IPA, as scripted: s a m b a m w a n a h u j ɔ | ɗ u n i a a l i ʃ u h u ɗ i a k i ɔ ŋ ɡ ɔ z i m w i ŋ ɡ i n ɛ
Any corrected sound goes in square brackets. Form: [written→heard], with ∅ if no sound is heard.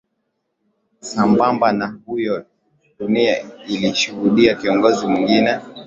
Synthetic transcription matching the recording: s a m b a m [w→b] a n a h u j ɔ | ɗ u n i a [a→i] l i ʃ u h u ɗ i a k i ɔ ŋ ɡ ɔ z i m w i ŋ ɡ i n ɛ